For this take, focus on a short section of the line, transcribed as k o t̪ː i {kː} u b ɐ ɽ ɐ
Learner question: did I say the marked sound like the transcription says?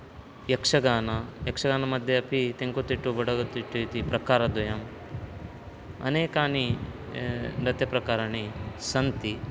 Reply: no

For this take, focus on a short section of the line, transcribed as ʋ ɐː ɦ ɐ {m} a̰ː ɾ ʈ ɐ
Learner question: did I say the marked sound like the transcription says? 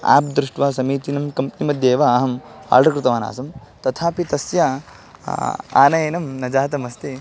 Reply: yes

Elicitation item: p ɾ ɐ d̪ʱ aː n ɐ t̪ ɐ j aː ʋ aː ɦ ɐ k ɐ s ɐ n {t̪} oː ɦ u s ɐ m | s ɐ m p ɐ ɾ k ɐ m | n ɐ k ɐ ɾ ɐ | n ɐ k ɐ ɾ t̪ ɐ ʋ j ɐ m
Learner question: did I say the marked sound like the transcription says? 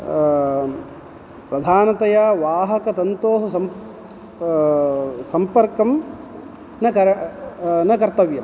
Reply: yes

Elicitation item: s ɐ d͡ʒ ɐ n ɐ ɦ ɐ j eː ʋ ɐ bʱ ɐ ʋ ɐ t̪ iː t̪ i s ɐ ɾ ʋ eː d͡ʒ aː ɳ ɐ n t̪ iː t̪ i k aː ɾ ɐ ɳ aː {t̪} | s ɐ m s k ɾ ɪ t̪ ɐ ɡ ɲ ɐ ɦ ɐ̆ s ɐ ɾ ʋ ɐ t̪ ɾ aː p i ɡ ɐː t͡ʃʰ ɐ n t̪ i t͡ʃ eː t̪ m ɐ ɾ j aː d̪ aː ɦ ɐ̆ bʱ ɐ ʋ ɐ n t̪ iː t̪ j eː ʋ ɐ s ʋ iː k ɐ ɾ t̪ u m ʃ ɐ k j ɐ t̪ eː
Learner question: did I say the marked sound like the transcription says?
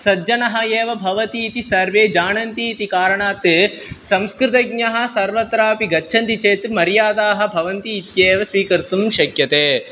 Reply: yes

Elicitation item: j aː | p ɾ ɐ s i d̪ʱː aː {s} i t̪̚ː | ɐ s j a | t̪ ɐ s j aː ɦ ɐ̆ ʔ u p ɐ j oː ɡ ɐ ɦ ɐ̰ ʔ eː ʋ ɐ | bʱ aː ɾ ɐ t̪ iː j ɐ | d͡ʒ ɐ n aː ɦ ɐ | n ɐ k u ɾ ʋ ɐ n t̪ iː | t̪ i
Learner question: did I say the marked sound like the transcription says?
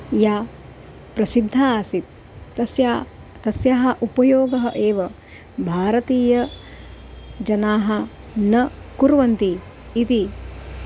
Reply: yes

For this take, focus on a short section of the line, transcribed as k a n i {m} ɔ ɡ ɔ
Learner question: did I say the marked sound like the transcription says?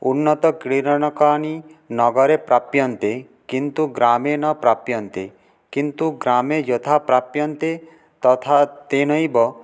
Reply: no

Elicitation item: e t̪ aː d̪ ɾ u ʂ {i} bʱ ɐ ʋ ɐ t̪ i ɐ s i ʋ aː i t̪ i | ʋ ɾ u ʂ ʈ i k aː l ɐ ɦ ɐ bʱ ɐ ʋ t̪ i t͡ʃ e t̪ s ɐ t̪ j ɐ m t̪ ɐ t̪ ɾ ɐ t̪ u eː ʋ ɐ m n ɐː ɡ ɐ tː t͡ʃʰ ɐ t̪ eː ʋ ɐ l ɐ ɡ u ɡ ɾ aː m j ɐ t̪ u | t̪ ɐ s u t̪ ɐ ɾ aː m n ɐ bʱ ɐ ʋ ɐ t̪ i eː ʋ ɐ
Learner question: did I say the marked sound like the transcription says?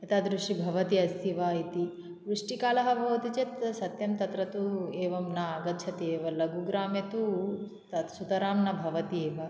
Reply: yes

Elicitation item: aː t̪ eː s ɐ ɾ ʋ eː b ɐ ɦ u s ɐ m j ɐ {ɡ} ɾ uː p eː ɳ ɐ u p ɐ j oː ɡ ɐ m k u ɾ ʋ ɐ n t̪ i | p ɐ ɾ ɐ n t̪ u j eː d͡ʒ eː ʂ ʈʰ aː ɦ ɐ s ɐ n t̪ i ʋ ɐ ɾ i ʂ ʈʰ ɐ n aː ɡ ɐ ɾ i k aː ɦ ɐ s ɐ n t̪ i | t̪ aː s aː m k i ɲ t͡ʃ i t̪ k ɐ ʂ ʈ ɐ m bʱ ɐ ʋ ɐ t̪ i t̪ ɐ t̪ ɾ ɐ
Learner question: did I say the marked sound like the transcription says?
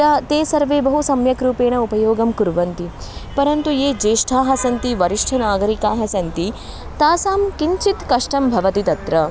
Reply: no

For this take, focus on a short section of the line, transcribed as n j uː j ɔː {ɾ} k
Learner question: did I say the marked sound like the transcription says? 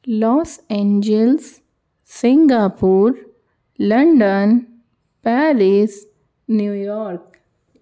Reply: yes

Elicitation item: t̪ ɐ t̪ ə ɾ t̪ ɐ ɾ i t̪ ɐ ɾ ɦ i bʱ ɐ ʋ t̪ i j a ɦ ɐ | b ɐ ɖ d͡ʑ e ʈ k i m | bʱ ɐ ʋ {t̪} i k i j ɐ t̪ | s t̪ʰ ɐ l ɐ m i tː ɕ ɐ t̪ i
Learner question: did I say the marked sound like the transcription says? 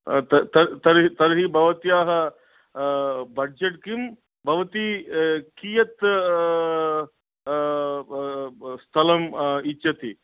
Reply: yes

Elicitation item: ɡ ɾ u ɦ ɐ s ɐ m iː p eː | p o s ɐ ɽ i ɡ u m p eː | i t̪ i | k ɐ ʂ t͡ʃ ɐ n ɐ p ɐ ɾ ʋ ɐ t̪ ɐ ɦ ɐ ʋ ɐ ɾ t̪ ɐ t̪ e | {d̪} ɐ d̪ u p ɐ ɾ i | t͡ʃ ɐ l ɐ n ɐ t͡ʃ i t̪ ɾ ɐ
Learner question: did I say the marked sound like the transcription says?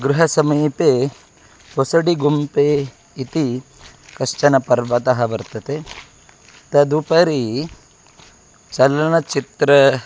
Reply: no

